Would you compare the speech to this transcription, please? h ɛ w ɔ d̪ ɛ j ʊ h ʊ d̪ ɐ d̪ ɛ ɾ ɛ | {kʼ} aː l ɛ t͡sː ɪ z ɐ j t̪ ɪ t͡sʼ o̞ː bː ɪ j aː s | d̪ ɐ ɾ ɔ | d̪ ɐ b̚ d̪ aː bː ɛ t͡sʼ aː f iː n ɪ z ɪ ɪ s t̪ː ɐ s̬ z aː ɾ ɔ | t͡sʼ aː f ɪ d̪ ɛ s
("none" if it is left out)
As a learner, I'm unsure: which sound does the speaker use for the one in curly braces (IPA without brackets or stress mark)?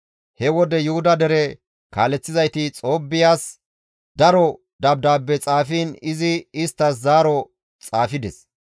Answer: k